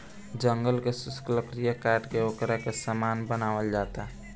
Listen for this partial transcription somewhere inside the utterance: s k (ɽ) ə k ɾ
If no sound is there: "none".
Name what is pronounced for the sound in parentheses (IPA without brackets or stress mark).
l